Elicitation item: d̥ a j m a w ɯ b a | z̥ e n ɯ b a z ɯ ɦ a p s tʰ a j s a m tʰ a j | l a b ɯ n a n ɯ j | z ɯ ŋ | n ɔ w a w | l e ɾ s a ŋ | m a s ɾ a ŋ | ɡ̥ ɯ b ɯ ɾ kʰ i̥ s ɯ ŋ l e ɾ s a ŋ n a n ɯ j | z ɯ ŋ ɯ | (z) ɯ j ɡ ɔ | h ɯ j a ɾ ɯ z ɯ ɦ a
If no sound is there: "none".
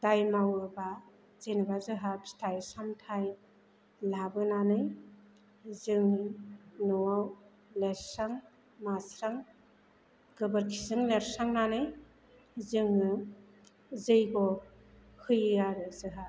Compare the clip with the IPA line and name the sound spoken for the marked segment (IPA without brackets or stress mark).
z